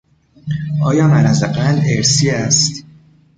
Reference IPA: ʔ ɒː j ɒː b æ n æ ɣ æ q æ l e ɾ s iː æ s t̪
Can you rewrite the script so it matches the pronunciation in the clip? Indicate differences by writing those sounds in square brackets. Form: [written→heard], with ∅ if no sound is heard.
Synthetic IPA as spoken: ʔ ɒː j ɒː [b→m] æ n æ [ɣ→z] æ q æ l e ɾ s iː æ s t̪